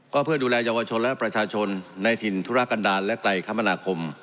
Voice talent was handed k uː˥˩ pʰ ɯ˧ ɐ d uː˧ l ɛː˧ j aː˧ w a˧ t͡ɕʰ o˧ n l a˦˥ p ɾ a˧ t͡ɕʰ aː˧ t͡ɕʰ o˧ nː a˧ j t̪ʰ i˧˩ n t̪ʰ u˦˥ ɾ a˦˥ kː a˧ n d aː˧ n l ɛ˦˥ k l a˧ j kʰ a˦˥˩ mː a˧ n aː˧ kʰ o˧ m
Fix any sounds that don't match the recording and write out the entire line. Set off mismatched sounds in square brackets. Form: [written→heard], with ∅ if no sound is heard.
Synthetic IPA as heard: k [uː˥˩→ɔː˥˩] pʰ [ɯ˧→ɯ˥˩] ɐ d uː˧ l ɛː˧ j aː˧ w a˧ t͡ɕʰ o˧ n l [a˦˥→ɛ˦˥] p ɾ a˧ t͡ɕʰ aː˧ t͡ɕʰ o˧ nː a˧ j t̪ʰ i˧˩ n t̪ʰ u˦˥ ɾ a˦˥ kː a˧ n d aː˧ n l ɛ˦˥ k l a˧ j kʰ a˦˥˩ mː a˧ n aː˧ kʰ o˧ m